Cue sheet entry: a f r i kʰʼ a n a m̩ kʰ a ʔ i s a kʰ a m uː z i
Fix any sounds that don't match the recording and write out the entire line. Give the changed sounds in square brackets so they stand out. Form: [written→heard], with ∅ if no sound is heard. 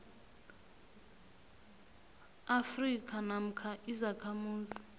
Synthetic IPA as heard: a f r i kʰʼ a n a m̩ kʰ a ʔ i [s→z] a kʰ a m uː z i